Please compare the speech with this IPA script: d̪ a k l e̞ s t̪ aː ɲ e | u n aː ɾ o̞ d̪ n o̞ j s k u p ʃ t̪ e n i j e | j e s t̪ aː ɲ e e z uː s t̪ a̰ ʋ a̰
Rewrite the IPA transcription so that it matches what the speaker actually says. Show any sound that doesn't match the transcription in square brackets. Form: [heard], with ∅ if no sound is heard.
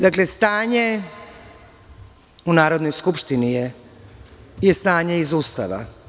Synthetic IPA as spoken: d̪ a k l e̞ s t̪ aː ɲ e | u n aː ɾ o̞ d̪ n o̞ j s k u p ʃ t̪ [i] n i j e | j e s t̪ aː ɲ e [i] z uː s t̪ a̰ ʋ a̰